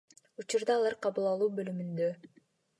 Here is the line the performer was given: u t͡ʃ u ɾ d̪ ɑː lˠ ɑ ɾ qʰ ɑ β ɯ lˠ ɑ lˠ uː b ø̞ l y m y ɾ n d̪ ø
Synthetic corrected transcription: u t͡ʃ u ɾ d̪ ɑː lˠ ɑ ɾ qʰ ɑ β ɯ lˠ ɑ lˠ uː b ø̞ l y m y n d̪ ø

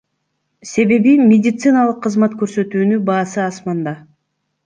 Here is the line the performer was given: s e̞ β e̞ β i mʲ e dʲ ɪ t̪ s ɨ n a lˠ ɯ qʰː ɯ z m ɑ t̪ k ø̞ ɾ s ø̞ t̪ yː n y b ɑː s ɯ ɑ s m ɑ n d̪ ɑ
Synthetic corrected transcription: s e̞ β e̞ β i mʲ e dʲ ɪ t̪ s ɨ n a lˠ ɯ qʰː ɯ z m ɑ t̪ k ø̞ ɾ s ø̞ t̪ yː n y b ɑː s ɯ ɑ s m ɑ n d̪ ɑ

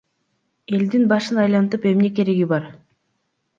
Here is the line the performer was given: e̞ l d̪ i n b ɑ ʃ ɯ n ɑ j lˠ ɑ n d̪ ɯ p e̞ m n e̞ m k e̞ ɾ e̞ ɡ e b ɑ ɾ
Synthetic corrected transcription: e̞ l d̪ i n b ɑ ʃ ɯ n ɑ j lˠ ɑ n t̪ ɯ p e̞ m n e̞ k e̞ ɾ e̞ ɡ i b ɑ ɾ

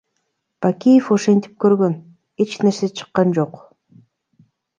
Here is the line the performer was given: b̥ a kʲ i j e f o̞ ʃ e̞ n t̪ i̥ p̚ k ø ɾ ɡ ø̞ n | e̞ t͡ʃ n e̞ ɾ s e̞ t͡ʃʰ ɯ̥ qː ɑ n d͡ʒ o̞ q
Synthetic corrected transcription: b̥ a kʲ i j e f o̞ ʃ e̞ n t̪ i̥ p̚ k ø ɾ ɡ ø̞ n | e̞ t͡ʃ n e̞ ɾ s e̞ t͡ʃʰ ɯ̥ qː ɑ n d͡ʒ o̞ q

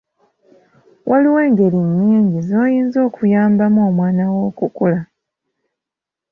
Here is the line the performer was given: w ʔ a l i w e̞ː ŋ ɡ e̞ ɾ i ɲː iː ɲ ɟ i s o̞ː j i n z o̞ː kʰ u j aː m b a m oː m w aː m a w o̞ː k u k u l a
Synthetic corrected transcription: w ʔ a l i w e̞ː ŋ ɡ e̞ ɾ i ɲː iː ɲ ɟ i z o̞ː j iː n z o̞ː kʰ u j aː m b a m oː m w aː n a w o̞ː k u k u l a

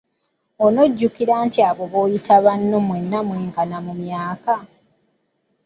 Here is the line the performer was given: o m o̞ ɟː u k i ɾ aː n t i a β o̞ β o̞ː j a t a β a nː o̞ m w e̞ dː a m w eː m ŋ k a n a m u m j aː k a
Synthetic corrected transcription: o n o̞ ɟː u k i ɾ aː n t i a β o̞ β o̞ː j i t a β a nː o̞ m w e̞ nː a m w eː ŋ k a n a m u m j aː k a

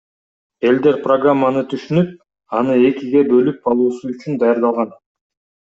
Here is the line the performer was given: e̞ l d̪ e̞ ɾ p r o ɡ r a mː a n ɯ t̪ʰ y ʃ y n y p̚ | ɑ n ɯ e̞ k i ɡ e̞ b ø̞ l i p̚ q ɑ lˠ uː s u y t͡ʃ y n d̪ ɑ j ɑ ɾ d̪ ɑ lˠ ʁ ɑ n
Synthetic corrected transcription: e̞ l d̪ e̞ ɾ p r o ɡ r a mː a n ɯ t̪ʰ y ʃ y n y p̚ | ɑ n ɯ e̞ k i ɡ e̞ b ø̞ l y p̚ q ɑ lˠ uː s u y t͡ʃ y n d̪ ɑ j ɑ ɾ d̪ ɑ lˠ ʁ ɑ n

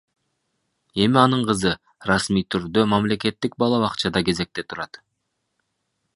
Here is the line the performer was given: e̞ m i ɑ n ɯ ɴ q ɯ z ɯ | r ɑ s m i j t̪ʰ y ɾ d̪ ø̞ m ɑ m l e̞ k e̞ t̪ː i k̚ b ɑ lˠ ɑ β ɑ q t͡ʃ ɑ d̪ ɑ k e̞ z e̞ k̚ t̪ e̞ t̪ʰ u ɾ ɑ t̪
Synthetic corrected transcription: e̞ m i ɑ n ɯ ɴ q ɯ z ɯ | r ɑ s m i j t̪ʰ y ɾ d̪ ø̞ m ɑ m l e̞ k e̞ t̪ː i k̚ b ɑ lˠ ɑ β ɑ q t͡ʃ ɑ d̪ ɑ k e̞ z e̞ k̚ t̪ e̞ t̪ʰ u ɾ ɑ t̪

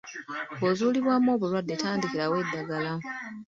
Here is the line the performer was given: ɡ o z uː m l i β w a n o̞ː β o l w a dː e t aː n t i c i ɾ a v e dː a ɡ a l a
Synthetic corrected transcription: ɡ o z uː l i β w a m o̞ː β u l w a dː e t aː n d i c i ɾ a w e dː a ɡ a l a

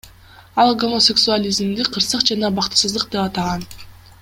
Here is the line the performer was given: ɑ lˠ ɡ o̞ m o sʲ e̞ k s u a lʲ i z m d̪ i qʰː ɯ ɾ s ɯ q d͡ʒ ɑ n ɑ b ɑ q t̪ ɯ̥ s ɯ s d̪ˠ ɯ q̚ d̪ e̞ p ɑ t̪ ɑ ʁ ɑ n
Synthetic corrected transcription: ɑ lˠ ɡ o̞ m o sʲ e̞ k s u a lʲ i z m d̪ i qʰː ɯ ɾ s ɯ q d͡ʒ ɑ n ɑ b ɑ q t̪ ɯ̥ s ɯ z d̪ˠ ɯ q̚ d̪ e̞ p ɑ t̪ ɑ ʁ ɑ n

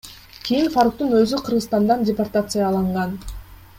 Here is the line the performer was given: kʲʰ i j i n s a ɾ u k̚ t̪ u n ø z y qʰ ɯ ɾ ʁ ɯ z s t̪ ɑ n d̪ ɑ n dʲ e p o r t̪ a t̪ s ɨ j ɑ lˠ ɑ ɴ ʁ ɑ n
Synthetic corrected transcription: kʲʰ i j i n f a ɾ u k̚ t̪ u n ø z y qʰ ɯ ɾ ʁ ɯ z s t̪ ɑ n d̪ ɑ n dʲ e p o r t̪ a t̪ s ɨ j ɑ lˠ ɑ ɴ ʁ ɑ n

